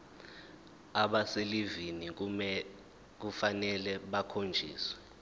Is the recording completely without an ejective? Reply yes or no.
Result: yes